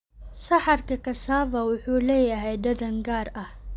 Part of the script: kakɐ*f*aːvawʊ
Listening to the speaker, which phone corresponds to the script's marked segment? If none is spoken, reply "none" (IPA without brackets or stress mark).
s